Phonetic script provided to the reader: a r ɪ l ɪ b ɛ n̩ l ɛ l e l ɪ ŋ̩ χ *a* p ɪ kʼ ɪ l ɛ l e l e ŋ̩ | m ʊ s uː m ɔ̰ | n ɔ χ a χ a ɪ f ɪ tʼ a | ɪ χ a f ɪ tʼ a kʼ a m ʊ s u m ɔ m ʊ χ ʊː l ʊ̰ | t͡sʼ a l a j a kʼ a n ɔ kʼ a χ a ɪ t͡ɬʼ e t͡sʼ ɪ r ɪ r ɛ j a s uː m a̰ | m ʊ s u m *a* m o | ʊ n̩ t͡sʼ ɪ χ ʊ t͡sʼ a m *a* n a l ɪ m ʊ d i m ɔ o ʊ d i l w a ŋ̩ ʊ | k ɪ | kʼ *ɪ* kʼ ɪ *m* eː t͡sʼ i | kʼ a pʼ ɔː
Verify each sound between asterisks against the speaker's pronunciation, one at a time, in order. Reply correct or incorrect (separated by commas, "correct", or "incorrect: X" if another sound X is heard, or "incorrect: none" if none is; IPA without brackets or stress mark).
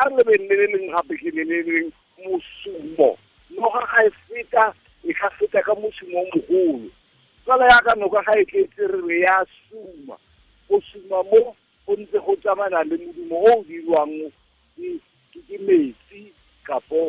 correct, correct, correct, correct, correct